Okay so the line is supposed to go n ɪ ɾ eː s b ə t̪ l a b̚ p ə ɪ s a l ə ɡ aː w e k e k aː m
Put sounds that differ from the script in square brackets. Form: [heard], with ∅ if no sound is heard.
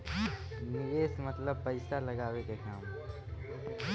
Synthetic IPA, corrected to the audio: n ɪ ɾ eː s [m] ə t̪ l [ə] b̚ p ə ɪ s a l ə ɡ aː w e k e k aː m